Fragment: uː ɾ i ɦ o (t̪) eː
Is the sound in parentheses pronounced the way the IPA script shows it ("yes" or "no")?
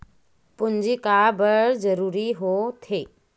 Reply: no